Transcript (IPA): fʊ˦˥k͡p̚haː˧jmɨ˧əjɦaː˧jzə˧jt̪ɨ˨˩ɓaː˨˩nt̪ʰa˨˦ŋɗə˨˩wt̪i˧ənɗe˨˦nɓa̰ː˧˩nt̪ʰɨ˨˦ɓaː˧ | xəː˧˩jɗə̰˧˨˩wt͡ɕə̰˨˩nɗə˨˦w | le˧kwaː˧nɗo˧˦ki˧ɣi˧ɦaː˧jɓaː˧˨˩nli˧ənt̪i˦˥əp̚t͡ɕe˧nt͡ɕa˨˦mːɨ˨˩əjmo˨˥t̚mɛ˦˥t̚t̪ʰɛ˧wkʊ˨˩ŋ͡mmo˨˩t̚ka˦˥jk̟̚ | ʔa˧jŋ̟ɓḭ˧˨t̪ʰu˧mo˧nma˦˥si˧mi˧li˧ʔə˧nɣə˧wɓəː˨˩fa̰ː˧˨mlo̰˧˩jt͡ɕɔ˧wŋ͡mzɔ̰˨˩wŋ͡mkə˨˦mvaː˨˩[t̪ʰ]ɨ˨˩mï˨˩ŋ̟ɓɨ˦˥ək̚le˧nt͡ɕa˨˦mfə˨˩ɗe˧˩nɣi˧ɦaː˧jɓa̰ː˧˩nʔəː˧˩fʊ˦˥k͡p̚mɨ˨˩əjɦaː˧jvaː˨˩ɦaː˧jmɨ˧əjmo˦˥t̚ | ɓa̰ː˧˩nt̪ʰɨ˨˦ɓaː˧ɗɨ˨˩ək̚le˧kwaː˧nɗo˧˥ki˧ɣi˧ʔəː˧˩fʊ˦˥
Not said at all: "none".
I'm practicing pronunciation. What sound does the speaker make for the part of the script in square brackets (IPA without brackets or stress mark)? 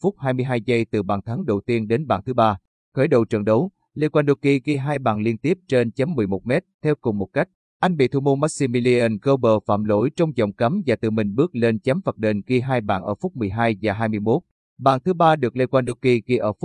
t̪